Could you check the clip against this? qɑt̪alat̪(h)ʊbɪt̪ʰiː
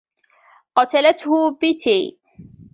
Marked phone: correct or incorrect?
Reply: correct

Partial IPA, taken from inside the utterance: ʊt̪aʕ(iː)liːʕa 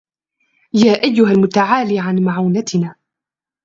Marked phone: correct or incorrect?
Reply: incorrect: aː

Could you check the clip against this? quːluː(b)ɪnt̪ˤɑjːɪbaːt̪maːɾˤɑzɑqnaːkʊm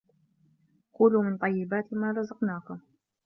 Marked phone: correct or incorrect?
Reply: incorrect: m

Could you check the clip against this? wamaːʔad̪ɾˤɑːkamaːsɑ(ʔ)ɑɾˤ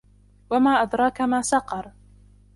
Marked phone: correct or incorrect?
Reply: incorrect: q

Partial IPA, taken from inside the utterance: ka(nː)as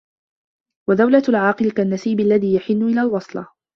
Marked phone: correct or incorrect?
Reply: correct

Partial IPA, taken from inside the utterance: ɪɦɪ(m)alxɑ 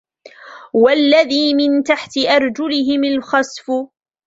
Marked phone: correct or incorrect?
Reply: correct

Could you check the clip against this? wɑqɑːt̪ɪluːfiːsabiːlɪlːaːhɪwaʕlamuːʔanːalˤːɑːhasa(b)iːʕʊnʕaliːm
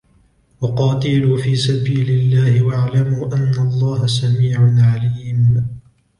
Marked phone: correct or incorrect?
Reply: incorrect: m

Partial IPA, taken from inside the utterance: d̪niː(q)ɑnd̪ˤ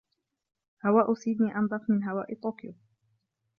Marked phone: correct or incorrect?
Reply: incorrect: ʔ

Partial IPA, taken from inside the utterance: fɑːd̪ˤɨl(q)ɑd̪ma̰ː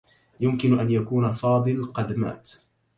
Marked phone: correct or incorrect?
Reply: correct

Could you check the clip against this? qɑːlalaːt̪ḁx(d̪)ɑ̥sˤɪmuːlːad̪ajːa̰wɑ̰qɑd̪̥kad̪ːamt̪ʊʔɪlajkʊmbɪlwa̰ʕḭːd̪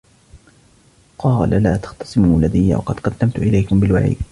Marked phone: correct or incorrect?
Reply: incorrect: t̪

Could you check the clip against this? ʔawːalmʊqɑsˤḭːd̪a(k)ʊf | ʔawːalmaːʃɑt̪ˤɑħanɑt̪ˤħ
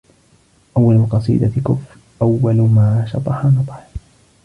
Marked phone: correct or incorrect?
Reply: correct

